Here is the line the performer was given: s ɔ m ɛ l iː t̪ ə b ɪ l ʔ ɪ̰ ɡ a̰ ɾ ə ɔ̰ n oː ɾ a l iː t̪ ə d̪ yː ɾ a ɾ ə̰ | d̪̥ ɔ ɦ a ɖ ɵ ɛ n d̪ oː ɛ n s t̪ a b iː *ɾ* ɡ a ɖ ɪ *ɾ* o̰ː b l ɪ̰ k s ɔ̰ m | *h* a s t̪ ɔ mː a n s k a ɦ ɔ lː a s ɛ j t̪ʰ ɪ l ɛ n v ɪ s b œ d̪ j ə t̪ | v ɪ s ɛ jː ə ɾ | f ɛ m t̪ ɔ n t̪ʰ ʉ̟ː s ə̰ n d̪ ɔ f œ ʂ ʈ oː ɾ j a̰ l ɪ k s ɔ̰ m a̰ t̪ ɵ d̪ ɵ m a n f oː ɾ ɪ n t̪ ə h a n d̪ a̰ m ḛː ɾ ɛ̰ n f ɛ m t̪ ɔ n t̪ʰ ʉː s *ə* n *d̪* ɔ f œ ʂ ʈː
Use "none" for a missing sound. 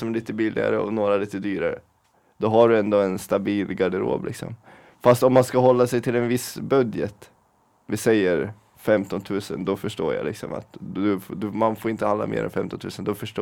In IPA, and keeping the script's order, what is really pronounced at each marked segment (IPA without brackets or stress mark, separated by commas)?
l, ɾ, f, ə, d̪